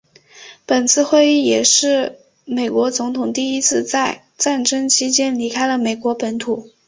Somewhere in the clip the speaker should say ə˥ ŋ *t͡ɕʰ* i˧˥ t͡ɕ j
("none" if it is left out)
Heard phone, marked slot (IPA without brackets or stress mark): t͡ɕʰ